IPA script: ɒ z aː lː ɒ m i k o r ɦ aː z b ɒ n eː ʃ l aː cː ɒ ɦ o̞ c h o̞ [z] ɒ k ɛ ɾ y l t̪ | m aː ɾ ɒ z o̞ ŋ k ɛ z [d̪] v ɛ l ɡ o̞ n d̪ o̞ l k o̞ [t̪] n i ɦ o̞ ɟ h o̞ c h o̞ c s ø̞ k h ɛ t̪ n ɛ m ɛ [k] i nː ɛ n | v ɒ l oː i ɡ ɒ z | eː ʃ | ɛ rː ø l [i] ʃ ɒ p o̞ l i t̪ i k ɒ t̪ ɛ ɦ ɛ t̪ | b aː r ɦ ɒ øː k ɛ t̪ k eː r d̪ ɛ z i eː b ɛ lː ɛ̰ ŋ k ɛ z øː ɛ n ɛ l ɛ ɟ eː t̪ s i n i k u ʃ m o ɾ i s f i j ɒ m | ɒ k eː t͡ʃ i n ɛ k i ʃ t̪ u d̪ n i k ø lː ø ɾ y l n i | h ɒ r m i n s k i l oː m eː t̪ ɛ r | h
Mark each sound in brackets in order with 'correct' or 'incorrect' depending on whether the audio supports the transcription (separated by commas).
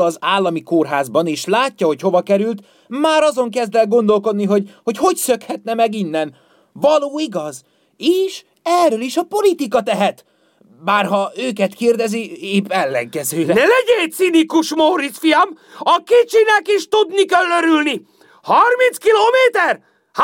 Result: incorrect, correct, incorrect, incorrect, correct